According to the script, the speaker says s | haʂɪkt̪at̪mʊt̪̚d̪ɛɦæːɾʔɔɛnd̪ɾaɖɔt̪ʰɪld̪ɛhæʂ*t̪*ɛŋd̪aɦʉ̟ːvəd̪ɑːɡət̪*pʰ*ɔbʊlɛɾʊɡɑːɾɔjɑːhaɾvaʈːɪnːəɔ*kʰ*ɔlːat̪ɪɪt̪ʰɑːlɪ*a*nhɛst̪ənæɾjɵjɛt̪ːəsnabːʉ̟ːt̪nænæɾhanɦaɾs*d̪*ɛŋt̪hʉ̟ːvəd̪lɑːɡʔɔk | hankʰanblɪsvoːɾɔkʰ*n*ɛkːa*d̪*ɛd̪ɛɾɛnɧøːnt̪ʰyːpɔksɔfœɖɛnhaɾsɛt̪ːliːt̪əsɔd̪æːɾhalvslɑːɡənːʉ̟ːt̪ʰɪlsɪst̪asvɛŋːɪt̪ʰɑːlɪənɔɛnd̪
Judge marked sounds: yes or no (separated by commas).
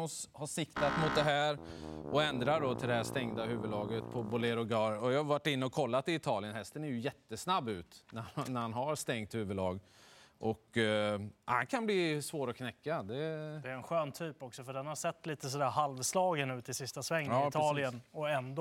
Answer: yes, yes, yes, no, no, yes, yes